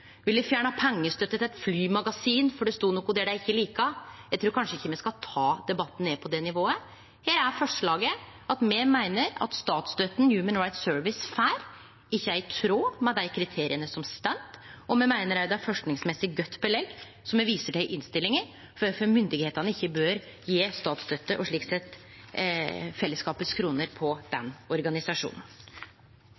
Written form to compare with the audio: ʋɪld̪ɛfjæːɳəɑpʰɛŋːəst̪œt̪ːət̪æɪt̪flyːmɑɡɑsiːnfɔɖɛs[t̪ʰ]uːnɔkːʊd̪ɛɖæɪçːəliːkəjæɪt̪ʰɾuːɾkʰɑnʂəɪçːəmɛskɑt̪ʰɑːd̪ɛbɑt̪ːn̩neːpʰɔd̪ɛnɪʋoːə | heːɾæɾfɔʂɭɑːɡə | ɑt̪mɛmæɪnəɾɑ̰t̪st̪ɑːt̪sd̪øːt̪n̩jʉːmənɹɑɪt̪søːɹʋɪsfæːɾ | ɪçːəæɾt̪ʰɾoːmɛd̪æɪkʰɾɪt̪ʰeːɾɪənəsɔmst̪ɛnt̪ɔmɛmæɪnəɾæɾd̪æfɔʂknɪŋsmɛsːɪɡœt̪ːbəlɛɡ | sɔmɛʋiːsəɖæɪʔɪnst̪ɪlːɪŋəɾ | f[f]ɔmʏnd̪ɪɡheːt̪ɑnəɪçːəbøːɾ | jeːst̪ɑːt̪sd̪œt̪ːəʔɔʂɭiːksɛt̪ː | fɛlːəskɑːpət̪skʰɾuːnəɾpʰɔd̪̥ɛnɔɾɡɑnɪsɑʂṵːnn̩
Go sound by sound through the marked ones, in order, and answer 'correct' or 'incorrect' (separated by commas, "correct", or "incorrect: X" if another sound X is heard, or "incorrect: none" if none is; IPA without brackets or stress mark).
incorrect: t̪, correct